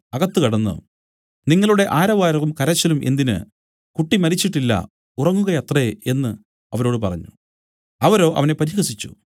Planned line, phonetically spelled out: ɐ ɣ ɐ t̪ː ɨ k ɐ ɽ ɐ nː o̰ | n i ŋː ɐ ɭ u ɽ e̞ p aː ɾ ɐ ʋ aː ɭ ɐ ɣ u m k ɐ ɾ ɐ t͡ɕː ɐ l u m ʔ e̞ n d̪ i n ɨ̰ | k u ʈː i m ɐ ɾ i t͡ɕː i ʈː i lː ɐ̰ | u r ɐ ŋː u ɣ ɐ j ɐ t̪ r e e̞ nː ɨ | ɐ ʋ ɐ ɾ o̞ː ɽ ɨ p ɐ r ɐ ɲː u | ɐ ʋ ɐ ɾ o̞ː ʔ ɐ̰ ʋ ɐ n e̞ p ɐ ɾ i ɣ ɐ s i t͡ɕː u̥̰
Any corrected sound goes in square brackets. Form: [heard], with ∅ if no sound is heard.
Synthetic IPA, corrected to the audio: ɐ ɣ ɐ t̪ː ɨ k ɐ ɽ ɐ nː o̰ | n i ŋː ɐ ɭ u ɽ e̞ [ʔ] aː ɾ ɐ ʋ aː [ɾ] ɐ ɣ u m k ɐ ɾ ɐ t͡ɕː ɐ l u m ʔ e̞ n d̪ i n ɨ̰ | k u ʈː i m ɐ ɾ i t͡ɕː i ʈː i lː ɐ̰ | u r ɐ ŋː u ɣ ɐ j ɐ t̪ r e e̞ nː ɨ | ɐ ʋ ɐ ɾ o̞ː ɽ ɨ p ɐ r ɐ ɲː u | ɐ ʋ ɐ ɾ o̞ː ʔ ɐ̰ ʋ ɐ n e̞ p ɐ ɾ i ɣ ɐ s i t͡ɕː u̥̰